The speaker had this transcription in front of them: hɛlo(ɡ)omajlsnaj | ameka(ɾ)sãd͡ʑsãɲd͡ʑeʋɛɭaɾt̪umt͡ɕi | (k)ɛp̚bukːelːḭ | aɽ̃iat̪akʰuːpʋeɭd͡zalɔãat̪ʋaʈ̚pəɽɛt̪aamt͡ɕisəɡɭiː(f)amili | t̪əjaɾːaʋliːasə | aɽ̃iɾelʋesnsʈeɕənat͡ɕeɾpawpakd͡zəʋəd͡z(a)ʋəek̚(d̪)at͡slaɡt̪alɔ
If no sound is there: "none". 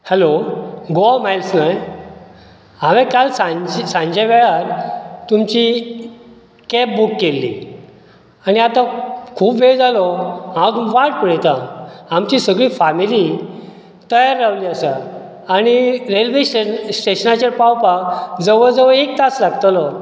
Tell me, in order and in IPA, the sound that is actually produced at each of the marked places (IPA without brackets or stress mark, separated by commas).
ɡ, l, k, f, ə, t̪